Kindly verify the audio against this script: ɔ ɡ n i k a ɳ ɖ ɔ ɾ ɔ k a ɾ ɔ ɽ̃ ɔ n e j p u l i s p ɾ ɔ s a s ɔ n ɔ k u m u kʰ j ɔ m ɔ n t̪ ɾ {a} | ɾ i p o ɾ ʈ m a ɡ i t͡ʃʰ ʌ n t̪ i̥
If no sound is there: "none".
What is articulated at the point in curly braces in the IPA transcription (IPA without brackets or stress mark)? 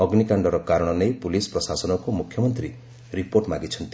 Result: i